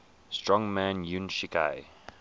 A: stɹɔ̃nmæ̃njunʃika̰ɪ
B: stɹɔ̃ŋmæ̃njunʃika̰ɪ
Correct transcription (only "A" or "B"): B